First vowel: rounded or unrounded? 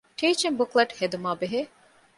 unrounded